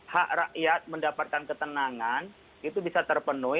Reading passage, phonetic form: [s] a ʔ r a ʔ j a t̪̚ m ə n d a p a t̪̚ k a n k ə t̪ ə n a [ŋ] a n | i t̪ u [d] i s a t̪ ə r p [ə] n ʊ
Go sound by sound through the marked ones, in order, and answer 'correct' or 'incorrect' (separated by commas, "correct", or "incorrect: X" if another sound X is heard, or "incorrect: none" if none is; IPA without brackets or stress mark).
incorrect: h, correct, incorrect: b, correct